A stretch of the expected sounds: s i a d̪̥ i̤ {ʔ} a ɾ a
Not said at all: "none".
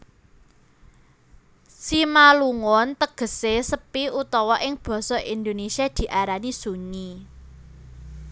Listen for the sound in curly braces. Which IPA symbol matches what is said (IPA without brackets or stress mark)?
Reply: ʔ